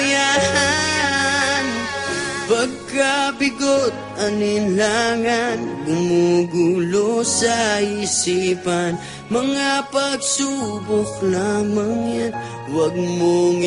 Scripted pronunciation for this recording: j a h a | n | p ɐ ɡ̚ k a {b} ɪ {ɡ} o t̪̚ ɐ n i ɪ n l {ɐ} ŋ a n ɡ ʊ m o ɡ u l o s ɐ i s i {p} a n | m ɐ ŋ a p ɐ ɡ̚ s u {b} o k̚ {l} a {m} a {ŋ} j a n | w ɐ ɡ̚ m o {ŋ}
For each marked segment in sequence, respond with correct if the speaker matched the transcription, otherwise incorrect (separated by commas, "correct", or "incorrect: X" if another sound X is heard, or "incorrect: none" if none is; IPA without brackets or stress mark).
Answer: correct, correct, incorrect: a, correct, correct, correct, correct, correct, correct